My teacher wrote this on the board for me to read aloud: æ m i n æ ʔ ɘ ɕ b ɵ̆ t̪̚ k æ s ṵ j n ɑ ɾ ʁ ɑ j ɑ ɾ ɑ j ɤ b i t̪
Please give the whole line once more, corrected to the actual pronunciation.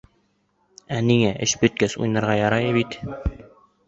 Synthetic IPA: æ n i ŋ æ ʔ ɘ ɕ b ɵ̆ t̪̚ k æ s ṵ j n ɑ ɾ ʁ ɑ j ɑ ɾ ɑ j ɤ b i t̪